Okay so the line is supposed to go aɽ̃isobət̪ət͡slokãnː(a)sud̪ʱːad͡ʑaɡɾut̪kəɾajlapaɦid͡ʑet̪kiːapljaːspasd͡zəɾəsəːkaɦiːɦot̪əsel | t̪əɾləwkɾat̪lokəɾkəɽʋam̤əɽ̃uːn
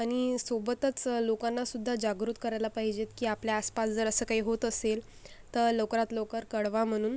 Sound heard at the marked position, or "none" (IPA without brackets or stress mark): a